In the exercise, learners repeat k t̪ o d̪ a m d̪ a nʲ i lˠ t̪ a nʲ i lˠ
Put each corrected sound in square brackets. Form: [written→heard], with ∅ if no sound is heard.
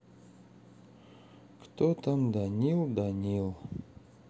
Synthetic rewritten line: k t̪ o [d̪→t̪] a m d̪ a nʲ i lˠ [t̪→d̪] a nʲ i lˠ